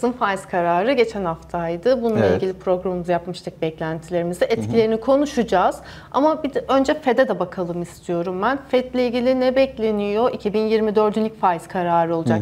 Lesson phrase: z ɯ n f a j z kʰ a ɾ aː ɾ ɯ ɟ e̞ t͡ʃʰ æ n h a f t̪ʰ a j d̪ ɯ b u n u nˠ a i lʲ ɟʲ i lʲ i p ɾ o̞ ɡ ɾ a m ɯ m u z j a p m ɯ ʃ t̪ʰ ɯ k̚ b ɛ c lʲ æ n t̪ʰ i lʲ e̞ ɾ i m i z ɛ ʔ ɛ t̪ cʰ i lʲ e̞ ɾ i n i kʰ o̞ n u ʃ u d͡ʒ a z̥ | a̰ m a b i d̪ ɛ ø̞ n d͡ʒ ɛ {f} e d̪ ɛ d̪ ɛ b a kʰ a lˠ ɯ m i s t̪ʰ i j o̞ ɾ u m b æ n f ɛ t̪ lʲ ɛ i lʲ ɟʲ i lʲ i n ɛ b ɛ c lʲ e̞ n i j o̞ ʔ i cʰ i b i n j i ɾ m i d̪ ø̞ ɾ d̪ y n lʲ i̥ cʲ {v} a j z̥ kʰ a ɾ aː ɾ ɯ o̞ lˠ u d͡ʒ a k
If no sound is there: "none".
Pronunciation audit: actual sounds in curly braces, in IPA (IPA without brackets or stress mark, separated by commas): f, f